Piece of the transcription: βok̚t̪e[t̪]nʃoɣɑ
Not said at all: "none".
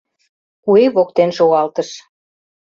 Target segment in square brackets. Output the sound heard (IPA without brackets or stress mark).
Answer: none